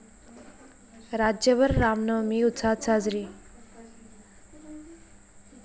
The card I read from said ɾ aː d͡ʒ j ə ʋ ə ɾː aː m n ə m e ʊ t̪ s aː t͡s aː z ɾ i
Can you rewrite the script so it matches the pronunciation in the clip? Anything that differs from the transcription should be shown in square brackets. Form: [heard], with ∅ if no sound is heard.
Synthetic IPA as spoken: ɾ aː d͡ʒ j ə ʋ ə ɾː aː m n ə m [i] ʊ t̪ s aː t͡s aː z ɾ i